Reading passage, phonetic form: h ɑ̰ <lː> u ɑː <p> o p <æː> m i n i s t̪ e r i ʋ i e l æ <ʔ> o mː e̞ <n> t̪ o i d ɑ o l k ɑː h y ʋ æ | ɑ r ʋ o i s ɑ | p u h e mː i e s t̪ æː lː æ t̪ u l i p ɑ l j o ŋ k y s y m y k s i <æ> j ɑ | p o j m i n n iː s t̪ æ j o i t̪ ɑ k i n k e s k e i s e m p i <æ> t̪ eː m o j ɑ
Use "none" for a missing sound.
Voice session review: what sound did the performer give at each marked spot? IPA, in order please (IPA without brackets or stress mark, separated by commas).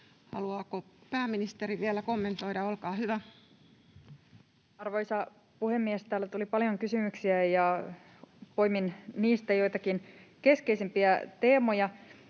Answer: l, k, æː, k, n, æ, æ